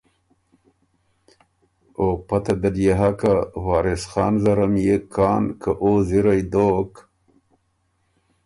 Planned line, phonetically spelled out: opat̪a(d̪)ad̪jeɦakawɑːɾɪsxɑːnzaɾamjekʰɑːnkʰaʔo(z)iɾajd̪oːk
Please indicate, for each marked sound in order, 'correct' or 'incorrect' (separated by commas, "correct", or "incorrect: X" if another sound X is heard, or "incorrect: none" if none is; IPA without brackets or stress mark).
correct, correct